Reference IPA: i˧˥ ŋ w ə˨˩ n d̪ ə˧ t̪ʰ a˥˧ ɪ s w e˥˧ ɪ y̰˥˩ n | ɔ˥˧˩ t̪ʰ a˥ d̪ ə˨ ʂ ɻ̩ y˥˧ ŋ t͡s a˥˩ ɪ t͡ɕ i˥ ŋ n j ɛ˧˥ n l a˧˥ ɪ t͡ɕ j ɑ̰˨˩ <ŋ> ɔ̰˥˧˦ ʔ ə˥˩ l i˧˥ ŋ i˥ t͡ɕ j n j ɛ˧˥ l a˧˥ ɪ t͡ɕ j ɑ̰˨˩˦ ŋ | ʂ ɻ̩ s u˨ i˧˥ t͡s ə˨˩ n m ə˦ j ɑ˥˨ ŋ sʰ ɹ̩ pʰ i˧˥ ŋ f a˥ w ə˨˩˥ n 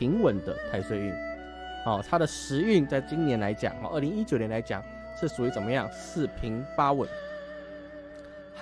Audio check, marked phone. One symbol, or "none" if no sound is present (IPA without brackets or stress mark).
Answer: ŋ